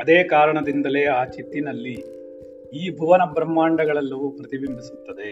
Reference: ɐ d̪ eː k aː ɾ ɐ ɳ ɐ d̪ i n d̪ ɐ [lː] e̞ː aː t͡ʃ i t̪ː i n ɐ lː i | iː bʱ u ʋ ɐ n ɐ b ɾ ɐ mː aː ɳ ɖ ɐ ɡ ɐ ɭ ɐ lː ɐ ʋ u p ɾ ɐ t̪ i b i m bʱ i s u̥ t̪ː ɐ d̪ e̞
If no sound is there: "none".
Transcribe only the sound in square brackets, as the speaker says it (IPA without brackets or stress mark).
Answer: l